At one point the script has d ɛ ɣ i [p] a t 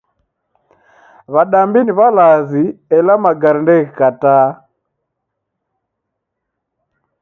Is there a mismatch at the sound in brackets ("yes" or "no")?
yes